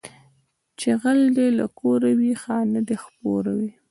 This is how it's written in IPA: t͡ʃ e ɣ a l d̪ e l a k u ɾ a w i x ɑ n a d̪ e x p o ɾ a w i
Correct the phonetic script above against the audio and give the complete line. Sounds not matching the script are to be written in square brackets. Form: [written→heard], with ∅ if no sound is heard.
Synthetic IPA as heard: t͡ʃ e ɣ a l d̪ e l a k [u→o] ɾ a w i x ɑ n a d̪ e x p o ɾ a w i